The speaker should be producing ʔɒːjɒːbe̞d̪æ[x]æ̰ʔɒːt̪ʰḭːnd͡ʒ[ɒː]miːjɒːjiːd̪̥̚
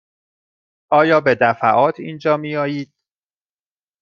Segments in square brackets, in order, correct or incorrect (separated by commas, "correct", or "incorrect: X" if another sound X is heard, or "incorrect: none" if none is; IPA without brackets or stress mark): incorrect: f, correct